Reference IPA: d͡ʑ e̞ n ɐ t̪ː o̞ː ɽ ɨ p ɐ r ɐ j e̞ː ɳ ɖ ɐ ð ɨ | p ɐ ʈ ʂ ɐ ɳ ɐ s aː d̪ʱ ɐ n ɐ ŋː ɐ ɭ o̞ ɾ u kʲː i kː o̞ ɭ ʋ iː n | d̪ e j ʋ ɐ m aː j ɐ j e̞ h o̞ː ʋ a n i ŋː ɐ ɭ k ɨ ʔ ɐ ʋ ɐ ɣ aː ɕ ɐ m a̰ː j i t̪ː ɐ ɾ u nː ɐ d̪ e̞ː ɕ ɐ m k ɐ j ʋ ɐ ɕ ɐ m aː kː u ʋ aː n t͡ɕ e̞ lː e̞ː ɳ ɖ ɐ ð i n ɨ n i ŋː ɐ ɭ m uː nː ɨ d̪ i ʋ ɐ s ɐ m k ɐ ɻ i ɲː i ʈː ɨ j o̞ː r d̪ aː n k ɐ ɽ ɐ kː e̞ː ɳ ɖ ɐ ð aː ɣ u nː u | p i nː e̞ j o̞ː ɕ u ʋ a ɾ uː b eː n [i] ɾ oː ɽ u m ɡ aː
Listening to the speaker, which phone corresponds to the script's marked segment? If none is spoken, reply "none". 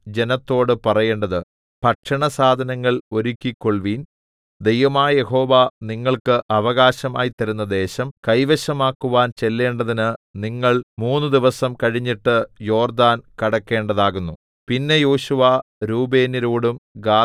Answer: i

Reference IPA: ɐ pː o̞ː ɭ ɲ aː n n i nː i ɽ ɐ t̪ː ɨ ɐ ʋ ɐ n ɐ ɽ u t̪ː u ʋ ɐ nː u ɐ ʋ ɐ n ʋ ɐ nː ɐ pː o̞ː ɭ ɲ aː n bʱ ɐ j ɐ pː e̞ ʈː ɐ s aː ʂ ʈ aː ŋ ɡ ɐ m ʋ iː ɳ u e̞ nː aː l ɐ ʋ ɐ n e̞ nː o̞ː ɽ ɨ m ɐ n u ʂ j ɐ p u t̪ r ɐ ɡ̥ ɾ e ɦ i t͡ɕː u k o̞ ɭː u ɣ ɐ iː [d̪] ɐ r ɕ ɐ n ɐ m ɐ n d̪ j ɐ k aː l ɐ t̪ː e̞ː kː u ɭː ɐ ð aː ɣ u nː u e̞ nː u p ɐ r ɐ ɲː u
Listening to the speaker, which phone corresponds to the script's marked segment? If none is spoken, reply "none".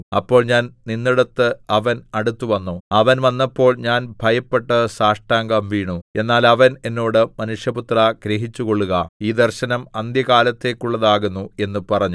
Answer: d̪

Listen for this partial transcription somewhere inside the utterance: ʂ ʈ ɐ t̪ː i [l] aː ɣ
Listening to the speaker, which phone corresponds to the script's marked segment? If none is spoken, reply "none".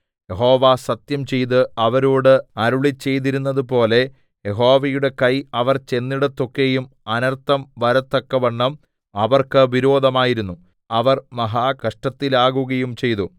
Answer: l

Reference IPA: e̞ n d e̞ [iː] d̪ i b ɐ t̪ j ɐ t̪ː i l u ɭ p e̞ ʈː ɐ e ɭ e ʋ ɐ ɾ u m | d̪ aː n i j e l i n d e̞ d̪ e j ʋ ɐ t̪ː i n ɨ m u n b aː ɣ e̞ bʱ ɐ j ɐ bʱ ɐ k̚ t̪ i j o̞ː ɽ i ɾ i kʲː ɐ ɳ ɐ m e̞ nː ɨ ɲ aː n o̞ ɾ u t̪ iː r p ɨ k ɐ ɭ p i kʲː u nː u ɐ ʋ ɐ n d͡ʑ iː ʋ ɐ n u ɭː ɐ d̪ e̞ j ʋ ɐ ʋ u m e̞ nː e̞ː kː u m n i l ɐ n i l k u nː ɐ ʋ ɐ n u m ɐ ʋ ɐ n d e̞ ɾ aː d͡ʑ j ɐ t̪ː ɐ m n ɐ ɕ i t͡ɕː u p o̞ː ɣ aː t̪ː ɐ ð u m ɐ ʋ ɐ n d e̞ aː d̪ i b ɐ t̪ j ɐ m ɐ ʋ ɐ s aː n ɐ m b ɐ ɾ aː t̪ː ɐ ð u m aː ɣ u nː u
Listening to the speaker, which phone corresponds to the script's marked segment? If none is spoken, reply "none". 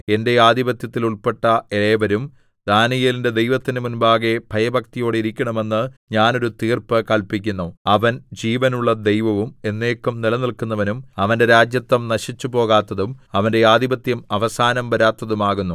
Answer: aː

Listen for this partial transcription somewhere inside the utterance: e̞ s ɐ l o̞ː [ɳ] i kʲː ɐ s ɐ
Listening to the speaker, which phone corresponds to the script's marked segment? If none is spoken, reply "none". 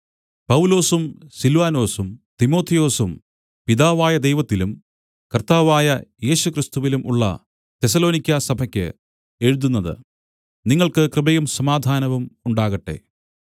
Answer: n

